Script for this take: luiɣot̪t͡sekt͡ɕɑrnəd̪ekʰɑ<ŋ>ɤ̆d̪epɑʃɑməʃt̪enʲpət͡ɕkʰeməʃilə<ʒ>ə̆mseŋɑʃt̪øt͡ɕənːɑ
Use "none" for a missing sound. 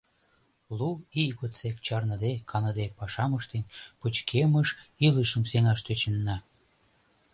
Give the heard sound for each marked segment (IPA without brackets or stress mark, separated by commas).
n, ʃ